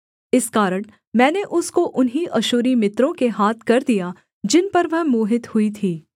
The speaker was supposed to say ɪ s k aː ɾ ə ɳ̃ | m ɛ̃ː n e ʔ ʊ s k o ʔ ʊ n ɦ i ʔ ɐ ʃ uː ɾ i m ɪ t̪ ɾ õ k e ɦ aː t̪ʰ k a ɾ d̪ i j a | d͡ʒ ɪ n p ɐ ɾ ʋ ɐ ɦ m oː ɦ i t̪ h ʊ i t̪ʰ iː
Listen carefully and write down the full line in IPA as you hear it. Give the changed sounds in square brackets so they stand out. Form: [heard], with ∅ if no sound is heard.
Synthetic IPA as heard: ɪ s k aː ɾ ə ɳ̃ | m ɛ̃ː n e ʔ ʊ s k o ʔ ʊ n ɦ i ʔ ɐ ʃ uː ɾ i m ɪ t̪ ɾ õ k e ɦ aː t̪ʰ k [ɐ] ɾ d̪ i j a | d͡ʒ ɪ n p ɐ ɾ ʋ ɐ ɦ m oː ɦ [ɪ] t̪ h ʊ i t̪ʰ iː